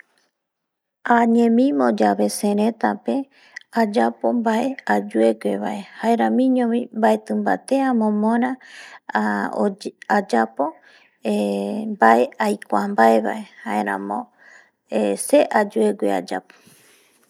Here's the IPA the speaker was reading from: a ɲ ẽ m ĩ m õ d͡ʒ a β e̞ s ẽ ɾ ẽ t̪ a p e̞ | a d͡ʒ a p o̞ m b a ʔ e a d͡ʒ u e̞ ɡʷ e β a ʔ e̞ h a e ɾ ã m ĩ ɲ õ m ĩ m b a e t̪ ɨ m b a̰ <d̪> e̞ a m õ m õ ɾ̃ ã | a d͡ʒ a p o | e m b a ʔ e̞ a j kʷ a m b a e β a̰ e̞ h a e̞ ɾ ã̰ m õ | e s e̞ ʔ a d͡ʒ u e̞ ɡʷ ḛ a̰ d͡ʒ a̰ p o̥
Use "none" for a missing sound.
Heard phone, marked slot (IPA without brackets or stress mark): t̪